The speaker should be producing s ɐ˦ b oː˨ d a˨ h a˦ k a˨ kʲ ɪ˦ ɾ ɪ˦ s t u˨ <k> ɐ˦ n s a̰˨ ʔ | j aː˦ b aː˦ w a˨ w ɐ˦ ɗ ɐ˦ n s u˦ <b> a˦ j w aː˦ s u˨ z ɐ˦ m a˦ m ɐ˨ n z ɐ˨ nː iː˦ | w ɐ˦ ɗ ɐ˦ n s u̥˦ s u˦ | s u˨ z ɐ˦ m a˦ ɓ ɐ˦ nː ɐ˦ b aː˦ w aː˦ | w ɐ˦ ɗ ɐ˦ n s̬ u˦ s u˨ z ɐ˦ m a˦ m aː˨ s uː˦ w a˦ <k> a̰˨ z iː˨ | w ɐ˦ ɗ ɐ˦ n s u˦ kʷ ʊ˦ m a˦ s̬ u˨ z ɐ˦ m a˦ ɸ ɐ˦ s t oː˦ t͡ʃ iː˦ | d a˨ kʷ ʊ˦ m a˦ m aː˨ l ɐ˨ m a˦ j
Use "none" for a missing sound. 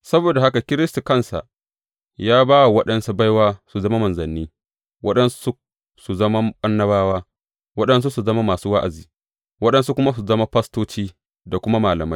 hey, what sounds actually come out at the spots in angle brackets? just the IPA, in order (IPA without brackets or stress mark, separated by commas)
k, b, ʔ